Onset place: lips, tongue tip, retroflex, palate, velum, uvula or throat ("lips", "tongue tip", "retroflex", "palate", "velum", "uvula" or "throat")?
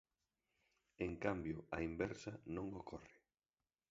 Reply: velum